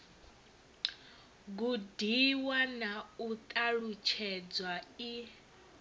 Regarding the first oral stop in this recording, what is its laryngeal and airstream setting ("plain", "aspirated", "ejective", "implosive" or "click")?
plain